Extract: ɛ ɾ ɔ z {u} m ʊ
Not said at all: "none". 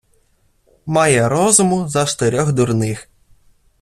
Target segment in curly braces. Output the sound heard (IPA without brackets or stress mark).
ʊ